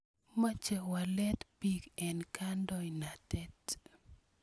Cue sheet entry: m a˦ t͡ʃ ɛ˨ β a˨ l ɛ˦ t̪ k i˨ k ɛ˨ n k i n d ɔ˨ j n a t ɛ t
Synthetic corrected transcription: m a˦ t͡ʃ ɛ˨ w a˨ l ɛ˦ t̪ p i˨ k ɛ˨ n k a n d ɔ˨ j n a t ɛ t

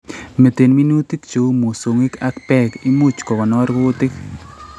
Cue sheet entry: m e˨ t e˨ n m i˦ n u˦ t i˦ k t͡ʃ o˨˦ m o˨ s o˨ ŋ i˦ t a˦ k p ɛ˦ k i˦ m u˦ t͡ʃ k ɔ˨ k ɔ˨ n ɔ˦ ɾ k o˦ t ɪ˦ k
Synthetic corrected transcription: m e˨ t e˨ n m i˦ n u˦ t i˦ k t͡ʃ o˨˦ m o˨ s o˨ ŋ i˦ k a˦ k p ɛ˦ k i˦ m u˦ t͡ʃ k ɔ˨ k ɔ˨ n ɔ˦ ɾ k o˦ t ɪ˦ k

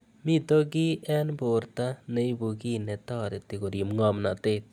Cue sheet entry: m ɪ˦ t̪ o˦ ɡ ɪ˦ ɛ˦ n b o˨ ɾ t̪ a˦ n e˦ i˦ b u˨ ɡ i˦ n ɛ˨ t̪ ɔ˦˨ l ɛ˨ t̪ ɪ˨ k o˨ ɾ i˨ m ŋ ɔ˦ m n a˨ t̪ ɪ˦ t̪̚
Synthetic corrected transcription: m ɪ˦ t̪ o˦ ɡ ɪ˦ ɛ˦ n b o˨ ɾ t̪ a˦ n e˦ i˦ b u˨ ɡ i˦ n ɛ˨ t̪ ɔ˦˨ ɾ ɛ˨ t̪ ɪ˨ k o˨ ɾ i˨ m ŋ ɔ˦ m n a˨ t̪ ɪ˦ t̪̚

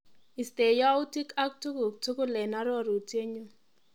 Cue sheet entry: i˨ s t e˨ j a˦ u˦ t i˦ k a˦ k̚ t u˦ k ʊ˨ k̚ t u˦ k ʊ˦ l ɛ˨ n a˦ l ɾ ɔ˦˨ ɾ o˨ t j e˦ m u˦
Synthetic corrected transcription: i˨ s t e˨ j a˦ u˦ t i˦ k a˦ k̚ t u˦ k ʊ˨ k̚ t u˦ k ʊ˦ l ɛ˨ n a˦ ɾ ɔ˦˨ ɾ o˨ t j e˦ ɲ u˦

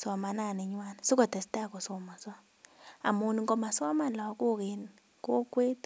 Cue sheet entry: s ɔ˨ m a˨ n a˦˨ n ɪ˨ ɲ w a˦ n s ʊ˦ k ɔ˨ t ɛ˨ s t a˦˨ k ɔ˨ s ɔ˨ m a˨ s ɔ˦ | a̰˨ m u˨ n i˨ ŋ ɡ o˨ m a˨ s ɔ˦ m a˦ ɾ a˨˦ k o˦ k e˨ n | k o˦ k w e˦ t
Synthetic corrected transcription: s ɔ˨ m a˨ n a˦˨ n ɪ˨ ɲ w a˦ n s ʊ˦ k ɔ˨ t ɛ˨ s t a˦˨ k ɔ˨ s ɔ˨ m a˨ s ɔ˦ | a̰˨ m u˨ n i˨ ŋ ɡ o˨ m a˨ s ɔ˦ m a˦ l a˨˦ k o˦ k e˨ n | k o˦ k w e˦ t

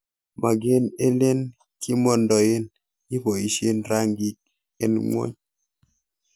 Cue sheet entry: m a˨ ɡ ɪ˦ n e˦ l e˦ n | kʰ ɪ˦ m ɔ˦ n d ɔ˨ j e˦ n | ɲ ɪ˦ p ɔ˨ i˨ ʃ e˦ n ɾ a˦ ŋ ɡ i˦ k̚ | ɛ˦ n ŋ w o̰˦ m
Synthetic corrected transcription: m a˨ ɡ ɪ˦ n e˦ l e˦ n | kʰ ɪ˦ m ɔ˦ n d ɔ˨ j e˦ n | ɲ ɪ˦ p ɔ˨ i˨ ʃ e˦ n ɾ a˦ ŋ ɡ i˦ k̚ | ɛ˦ n ŋ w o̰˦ ɲ

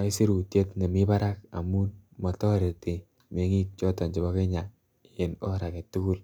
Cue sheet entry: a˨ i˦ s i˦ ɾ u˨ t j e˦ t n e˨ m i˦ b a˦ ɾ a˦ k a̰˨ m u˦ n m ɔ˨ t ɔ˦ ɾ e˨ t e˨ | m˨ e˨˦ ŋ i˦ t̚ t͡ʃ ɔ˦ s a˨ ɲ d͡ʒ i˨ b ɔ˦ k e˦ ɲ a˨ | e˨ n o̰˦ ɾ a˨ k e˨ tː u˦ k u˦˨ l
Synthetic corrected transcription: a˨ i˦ s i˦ ɾ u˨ t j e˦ t n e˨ m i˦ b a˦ ɾ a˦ k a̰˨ m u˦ n m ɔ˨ t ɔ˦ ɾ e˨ t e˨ | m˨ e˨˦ ŋ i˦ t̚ t͡ʃ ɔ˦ t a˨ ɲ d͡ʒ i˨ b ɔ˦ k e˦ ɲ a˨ | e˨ n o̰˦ ɾ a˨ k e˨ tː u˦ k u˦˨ l

